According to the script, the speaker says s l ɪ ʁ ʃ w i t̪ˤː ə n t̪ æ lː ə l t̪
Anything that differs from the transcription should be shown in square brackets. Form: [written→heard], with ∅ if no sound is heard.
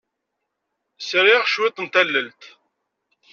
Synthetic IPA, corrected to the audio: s [l→ɾ] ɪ ʁ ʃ w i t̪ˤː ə n t̪ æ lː ə l t̪